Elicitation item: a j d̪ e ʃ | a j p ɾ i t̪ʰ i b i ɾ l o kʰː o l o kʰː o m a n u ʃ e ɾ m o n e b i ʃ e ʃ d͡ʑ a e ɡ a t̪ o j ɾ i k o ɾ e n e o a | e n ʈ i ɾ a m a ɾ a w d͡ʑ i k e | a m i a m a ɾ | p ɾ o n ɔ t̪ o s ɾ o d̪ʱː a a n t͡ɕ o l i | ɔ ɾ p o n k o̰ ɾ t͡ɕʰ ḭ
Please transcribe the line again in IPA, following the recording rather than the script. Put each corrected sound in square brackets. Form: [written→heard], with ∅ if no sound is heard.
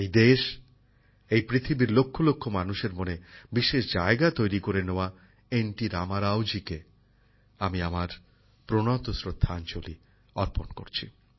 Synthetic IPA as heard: [a→e] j d̪ e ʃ | [a→e] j p ɾ i t̪ʰ i b i ɾ l o kʰː o l o kʰː o m a n u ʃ e ɾ m o n e b i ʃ e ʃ d͡ʑ a e ɡ a t̪ o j ɾ i k o ɾ e n e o a | e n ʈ i ɾ a m a ɾ a w d͡ʑ i k e | a m i a m a ɾ | p ɾ o n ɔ t̪ o s ɾ o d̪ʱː a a n t͡ɕ o l i | ɔ ɾ p o n k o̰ ɾ t͡ɕʰ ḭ